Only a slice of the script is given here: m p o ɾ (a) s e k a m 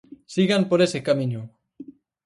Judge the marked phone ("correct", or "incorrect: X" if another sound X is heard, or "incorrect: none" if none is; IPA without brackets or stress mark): incorrect: e